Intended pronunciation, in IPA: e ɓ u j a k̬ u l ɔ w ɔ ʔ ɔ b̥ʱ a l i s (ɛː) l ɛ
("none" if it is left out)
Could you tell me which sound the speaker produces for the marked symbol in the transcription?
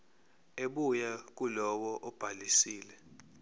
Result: iː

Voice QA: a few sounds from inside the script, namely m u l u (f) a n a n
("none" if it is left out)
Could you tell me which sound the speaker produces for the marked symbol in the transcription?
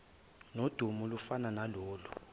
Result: f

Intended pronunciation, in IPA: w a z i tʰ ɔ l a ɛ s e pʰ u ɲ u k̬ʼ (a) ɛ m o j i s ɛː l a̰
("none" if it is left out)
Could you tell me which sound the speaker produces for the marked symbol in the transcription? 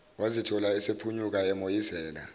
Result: a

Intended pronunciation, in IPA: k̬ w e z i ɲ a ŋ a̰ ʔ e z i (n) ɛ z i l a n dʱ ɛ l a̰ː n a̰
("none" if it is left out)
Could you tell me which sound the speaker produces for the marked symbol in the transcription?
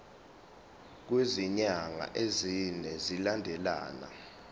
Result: n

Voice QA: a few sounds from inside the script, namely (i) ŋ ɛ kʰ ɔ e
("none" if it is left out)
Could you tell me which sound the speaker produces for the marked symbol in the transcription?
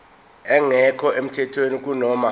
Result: ɛ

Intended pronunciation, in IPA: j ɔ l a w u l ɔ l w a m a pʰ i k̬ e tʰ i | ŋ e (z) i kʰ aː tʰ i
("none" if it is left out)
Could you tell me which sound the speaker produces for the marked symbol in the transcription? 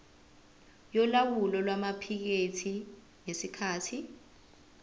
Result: s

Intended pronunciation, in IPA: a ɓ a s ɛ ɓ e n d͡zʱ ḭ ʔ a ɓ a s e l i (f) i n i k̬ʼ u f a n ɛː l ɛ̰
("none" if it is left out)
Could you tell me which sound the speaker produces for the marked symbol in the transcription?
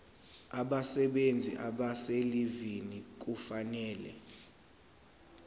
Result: v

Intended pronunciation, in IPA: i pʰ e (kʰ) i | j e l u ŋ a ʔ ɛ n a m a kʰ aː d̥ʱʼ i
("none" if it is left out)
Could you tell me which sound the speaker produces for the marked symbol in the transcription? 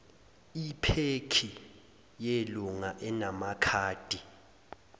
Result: kʰ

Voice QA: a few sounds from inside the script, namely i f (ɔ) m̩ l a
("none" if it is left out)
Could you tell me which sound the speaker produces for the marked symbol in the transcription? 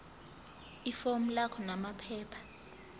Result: o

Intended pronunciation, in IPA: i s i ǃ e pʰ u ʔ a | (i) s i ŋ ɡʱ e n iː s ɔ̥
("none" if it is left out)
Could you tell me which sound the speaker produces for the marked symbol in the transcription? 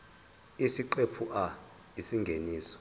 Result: i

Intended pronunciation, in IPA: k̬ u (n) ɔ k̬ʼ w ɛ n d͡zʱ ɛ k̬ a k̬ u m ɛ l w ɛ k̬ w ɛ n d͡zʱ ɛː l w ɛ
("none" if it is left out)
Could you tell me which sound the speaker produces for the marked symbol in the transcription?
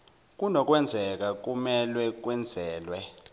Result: n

